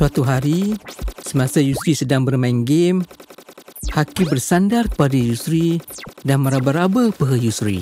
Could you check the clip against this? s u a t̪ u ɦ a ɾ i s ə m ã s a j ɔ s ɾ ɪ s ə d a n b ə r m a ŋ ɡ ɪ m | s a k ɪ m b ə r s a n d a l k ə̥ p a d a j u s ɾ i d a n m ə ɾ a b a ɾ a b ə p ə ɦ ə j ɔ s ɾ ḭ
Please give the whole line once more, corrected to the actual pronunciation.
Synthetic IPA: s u a t̪ u ɦ a ɾ i s ə m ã s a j u s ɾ i s ə d a ŋ b ə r m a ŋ ɡ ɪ m | h a k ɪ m b ə r s a n d a r k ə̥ p a d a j u s ɾ i d a n m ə ɾ a b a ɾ a b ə p ə ɦ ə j u s ɾ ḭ

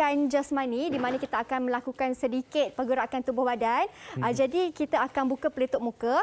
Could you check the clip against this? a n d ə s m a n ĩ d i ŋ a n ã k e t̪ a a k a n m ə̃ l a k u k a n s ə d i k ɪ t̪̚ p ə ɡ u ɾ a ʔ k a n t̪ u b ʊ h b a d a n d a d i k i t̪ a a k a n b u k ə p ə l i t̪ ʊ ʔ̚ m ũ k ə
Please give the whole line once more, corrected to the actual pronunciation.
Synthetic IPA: a n d͡ʒ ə s m a n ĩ d i m a n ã k i t̪ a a k a n m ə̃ l a k u k a n s ə d i k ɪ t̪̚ p ə ɡ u ɾ a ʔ k a n t̪ u b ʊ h b a d a n d͡ʒ a d i k i t̪ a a k a n b u k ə p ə l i t̪ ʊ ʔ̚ m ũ k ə

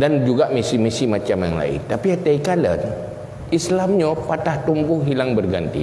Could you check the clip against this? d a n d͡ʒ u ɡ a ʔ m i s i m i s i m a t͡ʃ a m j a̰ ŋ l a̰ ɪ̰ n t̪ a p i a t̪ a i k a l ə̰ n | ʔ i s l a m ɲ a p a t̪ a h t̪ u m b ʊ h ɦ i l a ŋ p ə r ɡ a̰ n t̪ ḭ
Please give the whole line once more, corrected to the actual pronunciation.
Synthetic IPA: d a n d͡ʒ u ɡ a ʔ m i s i m i s i m a t͡ʃ a m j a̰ ŋ l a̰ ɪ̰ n t̪ a p i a t̪ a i k a l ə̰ n | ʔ i s l a m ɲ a p a t̪ a h t̪ u m b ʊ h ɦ i l a ŋ b ə r ɡ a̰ n t̪ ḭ

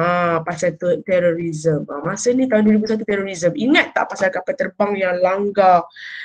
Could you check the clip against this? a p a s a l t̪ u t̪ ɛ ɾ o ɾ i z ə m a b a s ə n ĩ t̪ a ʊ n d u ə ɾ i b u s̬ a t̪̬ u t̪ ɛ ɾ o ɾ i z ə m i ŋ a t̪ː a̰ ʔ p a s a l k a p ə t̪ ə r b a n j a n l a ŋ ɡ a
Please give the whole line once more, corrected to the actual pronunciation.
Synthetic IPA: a p a s a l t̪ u t̪ ɛ ɾ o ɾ i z ə m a m a s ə n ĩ t̪ a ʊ n d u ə ɾ i b u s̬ a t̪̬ u t̪ ɛ ɾ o ɾ i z ə m i ŋ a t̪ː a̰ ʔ p a s a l k a p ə t̪ ə r b a ŋ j a ŋ l a ŋ ɡ a

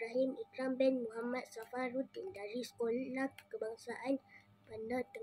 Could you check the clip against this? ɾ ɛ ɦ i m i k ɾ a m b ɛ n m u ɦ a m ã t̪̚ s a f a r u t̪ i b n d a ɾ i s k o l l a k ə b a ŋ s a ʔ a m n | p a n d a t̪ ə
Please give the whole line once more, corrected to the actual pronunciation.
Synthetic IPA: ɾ a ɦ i m i k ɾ a m b ɛ n m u ɦ a m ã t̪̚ s a f a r u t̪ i n d a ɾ i s k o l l a k ə b a ŋ s a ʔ a n | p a n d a t̪ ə

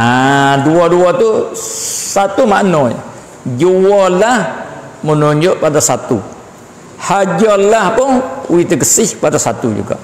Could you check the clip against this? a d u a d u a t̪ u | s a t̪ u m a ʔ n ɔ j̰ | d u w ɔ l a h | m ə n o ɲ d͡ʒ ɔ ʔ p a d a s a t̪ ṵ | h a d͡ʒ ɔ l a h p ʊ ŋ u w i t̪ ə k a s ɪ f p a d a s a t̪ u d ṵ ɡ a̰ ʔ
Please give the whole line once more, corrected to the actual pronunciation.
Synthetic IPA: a d u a d u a t̪ u | s a t̪ u m a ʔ n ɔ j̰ | d͡ʒ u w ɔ l a h | m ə n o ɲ d͡ʒ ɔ ʔ p a d a s a t̪ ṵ | h a d͡ʒ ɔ l a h p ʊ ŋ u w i t̪ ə k ə s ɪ h p a d a s a t̪ u d͡ʒ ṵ ɡ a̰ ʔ

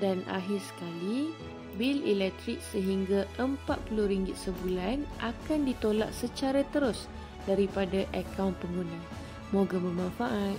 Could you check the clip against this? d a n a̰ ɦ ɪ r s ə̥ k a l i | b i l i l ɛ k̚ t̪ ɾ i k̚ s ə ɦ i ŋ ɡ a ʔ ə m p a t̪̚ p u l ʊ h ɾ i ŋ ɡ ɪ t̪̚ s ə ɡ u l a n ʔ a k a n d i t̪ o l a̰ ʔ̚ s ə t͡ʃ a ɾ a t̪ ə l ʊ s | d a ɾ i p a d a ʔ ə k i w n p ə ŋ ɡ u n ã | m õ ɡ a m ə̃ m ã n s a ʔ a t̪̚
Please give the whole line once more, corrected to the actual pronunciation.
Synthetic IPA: d a n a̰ ɦ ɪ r s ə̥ k a l i | b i l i l ɛ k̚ t̪ ɾ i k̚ s ə ɦ i ŋ ɡ a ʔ ə m p a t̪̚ p u l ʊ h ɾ i ŋ ɡ ɪ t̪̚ s ə b u l a n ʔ a k a n d i t̪ o l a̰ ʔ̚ s ə t͡ʃ a ɾ a t̪ ə ɾ ʊ s | d a ɾ i p a d a ʔ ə k a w n p ə ŋ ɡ u n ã | m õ ɡ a m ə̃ m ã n f a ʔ a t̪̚

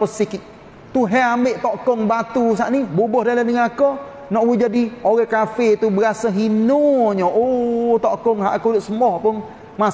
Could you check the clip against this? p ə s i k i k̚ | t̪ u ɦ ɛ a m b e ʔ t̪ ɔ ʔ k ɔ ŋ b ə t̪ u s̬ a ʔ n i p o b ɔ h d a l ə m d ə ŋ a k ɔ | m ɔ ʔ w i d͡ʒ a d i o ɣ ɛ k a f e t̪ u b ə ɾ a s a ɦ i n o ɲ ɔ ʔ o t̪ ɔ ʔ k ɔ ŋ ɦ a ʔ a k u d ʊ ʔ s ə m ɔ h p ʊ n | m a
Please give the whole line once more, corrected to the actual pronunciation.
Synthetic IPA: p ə s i k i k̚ | t̪ u ɦ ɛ a m b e ʔ t̪ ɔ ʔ k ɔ ŋ b a t̪ u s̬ a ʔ n i b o b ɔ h d a l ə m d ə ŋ a k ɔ | n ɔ ʔ w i d͡ʒ a d i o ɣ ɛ k a f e t̪ u b ə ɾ a s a ɦ i n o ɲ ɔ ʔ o t̪ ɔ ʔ k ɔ ŋ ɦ a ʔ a k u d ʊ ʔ s ə m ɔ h p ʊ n | m a

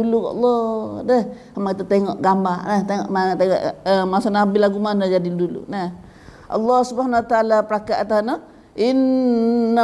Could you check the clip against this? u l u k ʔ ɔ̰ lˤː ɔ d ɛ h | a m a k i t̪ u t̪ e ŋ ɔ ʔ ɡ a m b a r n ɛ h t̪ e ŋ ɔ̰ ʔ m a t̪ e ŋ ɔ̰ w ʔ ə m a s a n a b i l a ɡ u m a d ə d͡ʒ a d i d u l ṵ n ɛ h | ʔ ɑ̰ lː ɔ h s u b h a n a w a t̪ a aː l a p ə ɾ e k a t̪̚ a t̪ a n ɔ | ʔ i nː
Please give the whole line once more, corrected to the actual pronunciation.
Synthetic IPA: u l u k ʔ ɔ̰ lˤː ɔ d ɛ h | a m a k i t̪ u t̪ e ŋ ɔ ʔ ɡ a m b a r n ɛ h t̪ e ŋ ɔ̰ ʔ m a t̪ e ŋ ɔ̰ ʔ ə m a s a n a b i l a ɡ u m a n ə d͡ʒ a d i d u l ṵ n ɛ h | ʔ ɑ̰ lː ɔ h s u b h a n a w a t̪ a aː l a p ə ɾ a k a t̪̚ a t̪ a n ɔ | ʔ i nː

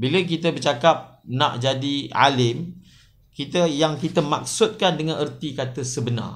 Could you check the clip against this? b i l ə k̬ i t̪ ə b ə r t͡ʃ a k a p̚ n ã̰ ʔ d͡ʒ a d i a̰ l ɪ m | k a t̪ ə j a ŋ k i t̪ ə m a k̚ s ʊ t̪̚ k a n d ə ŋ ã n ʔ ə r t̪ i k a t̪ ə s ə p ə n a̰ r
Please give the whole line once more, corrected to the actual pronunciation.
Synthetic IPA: b i l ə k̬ i t̪ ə b ə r t͡ʃ a k a p̚ n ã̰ ʔ d͡ʒ a d i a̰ l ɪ m | k i t̪ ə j a ŋ k i t̪ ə m a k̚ s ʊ t̪̚ k a n d ə ŋ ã n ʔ ə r t̪ i k a t̪ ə s ə b ə n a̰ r

